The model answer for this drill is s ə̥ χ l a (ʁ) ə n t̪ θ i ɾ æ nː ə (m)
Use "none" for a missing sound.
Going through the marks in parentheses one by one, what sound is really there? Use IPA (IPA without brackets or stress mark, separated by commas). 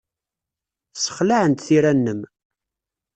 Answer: ʕ, m